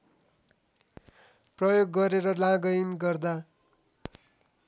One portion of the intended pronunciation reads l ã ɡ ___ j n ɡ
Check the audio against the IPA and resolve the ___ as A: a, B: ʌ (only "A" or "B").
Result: B